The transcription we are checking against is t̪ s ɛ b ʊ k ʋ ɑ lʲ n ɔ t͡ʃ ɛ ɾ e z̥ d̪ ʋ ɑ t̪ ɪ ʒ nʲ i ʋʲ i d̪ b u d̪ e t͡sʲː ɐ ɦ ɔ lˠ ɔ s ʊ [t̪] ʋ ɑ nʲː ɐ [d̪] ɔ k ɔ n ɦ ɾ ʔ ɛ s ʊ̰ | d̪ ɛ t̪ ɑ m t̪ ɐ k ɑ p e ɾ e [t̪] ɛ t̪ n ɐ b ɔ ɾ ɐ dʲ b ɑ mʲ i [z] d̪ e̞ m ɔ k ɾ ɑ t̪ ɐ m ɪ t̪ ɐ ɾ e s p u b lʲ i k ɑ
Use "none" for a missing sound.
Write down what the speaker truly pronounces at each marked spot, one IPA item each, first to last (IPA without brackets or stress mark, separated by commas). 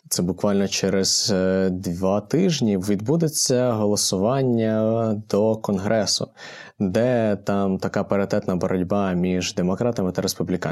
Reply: none, d̪, t̪, ʒ